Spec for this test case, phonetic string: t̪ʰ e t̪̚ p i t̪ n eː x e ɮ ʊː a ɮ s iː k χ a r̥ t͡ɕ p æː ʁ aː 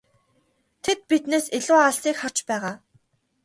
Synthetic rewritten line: t̪ʰ e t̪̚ p i t̪ n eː s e ɮ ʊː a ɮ s iː k χ a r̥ t͡ɕ p æː ʁ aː